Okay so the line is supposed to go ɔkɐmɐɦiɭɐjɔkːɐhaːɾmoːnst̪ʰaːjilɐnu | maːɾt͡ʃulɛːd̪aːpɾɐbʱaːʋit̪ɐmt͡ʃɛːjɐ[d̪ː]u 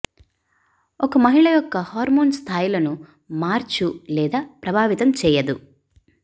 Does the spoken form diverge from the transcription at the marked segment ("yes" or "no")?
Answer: yes